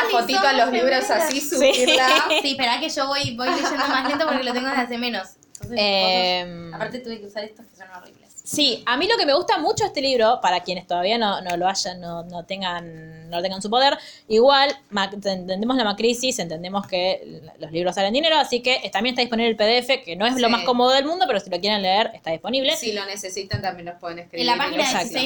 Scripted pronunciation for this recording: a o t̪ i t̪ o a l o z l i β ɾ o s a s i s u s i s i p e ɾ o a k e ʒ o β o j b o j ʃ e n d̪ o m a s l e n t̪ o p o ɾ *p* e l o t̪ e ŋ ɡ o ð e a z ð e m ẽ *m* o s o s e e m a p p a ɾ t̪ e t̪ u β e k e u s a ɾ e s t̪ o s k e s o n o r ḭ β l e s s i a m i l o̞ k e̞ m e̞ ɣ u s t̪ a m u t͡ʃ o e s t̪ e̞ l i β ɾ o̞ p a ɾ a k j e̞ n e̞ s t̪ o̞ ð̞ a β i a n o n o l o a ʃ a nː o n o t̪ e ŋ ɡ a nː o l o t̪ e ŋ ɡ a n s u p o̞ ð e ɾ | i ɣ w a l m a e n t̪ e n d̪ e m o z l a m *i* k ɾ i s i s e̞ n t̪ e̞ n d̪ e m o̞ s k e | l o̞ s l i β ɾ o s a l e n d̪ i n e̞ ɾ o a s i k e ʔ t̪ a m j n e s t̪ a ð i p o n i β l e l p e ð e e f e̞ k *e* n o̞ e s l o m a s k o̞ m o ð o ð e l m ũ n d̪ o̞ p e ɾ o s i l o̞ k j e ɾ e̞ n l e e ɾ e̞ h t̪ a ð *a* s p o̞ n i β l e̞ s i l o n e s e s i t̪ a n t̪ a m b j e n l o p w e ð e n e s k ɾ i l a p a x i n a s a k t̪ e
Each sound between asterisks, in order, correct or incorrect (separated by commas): incorrect, incorrect, incorrect, correct, incorrect